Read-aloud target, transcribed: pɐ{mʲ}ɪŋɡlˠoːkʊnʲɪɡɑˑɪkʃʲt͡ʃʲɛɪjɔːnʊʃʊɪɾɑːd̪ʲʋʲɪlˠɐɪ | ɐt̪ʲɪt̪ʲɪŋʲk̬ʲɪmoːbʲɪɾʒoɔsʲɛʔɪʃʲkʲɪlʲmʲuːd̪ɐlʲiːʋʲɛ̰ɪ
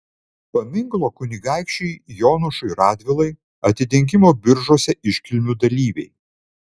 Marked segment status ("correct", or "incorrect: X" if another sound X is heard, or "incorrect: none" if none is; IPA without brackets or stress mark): correct